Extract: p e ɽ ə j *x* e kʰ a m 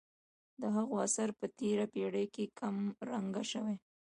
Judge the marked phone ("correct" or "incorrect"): incorrect